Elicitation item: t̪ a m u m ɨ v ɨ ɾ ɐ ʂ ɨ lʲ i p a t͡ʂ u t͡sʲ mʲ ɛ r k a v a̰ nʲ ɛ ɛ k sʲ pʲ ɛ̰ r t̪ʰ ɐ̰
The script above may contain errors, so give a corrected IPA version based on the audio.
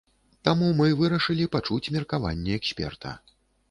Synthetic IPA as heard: t̪ a m u m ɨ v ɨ ɾ ɐ ʂ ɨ lʲ i p a t͡ʂ u t͡sʲ mʲ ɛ r k a v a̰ nʲː ɛ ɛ k sʲ pʲ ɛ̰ r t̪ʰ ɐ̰